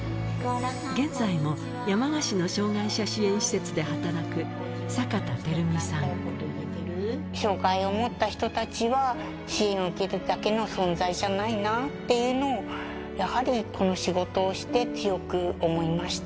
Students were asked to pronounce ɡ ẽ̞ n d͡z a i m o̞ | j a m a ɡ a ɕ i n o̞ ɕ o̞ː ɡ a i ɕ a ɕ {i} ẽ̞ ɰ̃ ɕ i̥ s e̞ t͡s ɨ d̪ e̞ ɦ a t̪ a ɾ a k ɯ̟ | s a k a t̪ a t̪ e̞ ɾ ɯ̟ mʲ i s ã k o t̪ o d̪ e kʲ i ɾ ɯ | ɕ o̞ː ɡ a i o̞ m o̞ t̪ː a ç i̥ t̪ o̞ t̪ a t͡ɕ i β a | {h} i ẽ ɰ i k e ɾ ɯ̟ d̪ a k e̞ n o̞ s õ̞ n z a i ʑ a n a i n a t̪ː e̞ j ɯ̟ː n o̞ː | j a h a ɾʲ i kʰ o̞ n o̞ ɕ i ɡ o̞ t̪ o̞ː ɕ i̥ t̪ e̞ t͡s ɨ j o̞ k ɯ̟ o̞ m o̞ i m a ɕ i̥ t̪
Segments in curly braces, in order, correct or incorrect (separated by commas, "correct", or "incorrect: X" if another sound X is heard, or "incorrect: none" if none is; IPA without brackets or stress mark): correct, incorrect: ɕ